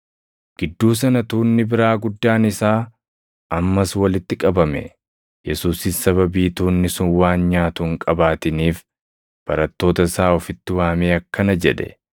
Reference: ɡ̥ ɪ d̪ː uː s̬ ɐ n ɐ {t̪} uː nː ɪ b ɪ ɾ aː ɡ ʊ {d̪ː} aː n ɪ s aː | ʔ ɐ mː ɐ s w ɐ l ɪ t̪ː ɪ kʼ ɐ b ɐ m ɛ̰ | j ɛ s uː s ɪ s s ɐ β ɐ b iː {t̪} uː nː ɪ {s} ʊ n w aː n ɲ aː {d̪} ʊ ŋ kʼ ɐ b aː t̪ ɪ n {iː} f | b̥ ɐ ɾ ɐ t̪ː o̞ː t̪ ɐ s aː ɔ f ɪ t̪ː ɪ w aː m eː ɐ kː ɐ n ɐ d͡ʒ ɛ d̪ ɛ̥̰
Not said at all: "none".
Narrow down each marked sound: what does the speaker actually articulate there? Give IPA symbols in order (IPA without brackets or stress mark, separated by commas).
t̪, d̪ː, t̪, s, t̪, iː